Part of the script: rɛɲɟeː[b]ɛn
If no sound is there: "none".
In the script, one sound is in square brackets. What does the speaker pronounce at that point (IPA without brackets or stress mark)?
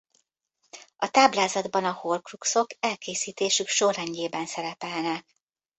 b